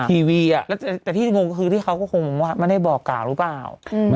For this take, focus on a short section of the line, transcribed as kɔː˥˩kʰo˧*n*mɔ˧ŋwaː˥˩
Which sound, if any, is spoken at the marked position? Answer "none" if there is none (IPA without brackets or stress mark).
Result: ŋ